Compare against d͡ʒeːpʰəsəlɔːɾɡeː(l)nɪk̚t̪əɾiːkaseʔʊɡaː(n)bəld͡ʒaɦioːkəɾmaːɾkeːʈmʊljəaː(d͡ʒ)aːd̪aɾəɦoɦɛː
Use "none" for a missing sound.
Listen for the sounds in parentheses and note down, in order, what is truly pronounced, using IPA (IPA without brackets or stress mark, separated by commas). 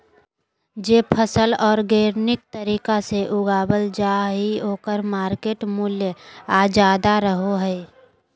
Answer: ɾ, none, d͡ʒ